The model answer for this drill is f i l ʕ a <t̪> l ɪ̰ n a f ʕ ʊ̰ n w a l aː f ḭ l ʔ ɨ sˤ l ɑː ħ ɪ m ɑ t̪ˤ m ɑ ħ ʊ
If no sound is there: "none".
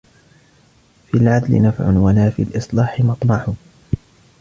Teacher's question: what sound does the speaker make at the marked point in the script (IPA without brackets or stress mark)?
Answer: d̪